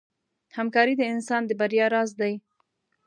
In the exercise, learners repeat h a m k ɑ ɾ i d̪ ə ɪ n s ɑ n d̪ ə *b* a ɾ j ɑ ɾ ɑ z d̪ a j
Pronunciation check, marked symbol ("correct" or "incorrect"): correct